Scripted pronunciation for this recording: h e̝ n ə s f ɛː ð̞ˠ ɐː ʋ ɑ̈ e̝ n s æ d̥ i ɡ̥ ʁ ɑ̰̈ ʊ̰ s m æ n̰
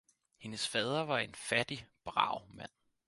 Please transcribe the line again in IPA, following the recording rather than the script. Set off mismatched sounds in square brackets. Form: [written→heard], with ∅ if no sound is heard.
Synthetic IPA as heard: h e̝ n ə s f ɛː ð̞ˠ [ɐː→ɐ] ʋ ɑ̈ e̝ n [s→f] æ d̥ i [ɡ̥→b̥] ʁ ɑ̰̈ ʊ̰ [s→∅] m æ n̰